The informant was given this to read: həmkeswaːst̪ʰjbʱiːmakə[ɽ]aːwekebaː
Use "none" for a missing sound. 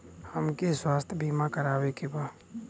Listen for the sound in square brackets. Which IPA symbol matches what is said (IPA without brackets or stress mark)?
ɾ